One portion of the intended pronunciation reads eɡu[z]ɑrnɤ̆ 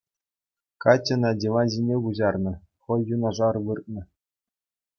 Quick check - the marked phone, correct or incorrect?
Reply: incorrect